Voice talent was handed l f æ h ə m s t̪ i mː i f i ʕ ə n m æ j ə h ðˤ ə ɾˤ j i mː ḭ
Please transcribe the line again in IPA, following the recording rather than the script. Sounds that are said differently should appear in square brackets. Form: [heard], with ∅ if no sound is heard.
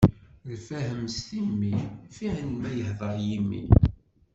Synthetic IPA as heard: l f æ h ə m s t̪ i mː i f i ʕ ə n m æ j ə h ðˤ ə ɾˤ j i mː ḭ